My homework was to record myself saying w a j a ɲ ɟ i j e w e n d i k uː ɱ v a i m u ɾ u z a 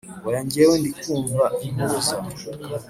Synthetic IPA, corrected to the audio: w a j a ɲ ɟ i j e w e n d i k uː ɱ v a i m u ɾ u z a

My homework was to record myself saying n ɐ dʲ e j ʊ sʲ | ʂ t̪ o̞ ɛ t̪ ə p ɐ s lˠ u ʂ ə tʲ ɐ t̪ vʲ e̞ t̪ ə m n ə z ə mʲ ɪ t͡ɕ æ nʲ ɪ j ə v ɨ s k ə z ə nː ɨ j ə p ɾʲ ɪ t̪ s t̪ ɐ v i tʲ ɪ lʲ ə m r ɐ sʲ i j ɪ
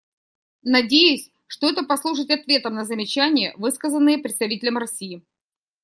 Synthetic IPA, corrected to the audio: n ɐ dʲ e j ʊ sʲ | ʂ t̪ o̞ ɛ t̪ ə p ɐ s lˠ u ʂ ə tʲ ɐ t̪ vʲ e̞ t̪ ə m n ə z ə mʲ ɪ t͡ɕ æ nʲ ɪ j ə v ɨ s k ə z ə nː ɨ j ə p ɾʲ ɪ t̪ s t̪ ɐ v i tʲ ɪ lʲ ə m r ɐ sʲ i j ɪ

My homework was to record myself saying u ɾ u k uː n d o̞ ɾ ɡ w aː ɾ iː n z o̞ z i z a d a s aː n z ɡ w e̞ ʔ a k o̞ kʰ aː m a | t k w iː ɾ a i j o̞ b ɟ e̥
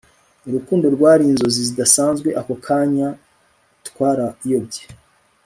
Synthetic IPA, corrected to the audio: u ɾ u k uː n d o̞ ɾ ɡ w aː ɾ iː n z o̞ z i z i d a s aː n z ɡ w e̞ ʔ a k o̞ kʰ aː ɲ a | t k w aː ɾ a i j o̞ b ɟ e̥

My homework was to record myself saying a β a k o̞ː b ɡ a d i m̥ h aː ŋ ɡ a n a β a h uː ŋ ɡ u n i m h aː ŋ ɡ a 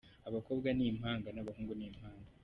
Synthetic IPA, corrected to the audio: a β a k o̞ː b ɡ a n i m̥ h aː ŋ ɡ a n a β a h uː ŋ ɡ u n i m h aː ŋ ɡ a

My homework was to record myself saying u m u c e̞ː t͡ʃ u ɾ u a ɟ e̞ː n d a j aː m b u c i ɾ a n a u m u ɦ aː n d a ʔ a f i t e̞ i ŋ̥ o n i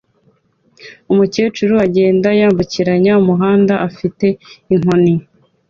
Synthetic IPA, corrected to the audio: u m u c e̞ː t͡ʃ u ɾ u a ɟ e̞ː n d a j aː m b u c i ɾ a ɲ a u m u ɦ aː n d a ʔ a f i t e̞ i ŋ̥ o n i

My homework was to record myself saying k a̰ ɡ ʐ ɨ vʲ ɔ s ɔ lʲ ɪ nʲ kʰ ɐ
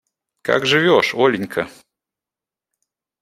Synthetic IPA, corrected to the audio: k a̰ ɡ ʐ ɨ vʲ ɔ ʂ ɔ lʲ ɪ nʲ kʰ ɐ

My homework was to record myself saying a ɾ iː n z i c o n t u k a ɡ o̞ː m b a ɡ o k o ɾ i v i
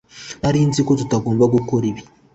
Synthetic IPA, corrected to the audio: a ɾ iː n z i k o t u t a ɡ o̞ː m b a ɡ u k o ɾ i β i

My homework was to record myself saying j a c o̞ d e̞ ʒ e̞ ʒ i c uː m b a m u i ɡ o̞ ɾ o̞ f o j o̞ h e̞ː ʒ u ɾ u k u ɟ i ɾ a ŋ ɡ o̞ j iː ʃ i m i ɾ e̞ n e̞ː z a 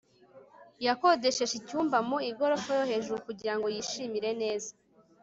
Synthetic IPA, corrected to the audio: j a k o̞ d e̞ ʃ e̞ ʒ i c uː m b a m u i ɡ o̞ ɾ o̞ f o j o̞ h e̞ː ʒ u ɾ u k u ɟ i ɾ a ŋ ɡ o̞ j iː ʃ i m i ɾ e̞ n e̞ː z a

